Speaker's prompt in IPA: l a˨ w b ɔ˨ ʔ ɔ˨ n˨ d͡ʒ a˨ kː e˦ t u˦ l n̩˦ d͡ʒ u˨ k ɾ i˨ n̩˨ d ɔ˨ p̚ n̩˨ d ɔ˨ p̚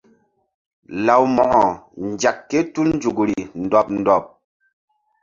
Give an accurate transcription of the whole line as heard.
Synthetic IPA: l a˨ w m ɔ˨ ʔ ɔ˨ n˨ d͡ʒ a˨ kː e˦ t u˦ l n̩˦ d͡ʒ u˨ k ɾ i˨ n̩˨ d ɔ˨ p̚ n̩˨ d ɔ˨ p̚